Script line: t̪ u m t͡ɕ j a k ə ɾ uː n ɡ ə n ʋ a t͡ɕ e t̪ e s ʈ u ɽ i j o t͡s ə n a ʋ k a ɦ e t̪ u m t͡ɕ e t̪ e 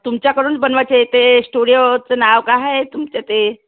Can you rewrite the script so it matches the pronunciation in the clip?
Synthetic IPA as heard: t̪ u m t͡ɕ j a k ə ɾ uː n b ə n ʋ a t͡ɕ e t̪ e s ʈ u ɽ i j o t͡s ə n a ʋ k a ɦ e t̪ u m t͡ɕ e t̪ e